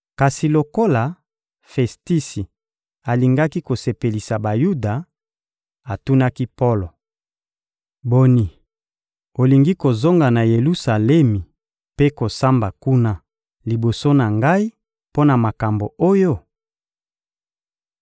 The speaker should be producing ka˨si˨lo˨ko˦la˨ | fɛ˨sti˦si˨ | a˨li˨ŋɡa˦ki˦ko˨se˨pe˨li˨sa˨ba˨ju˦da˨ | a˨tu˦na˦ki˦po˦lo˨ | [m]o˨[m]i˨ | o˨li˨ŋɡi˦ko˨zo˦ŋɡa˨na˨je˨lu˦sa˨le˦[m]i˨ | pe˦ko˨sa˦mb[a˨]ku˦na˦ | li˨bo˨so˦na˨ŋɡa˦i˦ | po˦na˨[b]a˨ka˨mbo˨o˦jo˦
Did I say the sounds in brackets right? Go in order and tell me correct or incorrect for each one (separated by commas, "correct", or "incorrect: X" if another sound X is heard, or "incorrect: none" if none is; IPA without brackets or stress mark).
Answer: incorrect: b, incorrect: n, correct, correct, incorrect: m